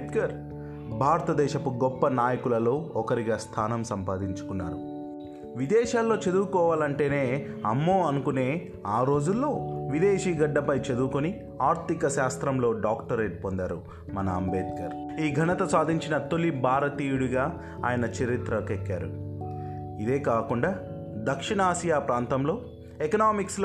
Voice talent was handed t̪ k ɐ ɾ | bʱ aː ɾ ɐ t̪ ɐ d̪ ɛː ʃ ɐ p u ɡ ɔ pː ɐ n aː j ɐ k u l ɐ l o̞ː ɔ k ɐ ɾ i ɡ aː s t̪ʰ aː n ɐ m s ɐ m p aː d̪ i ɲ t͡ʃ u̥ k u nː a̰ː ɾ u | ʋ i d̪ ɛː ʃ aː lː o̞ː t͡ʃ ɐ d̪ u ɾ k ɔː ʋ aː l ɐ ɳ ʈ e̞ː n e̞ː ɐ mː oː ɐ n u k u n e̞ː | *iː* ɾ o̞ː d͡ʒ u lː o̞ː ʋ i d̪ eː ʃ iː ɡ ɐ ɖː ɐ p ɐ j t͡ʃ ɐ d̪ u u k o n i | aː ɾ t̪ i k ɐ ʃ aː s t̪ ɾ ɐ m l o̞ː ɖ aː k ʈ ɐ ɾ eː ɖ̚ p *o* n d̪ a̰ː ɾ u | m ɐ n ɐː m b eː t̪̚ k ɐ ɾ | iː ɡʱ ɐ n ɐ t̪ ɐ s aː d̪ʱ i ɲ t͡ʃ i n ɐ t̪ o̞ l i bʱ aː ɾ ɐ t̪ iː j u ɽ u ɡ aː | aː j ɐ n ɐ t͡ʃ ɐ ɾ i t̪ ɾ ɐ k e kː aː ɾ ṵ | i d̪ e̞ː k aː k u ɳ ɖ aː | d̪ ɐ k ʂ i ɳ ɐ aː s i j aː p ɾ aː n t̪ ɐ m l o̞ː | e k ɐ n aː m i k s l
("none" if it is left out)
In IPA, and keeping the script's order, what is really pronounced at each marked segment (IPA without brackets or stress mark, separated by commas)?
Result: aː, o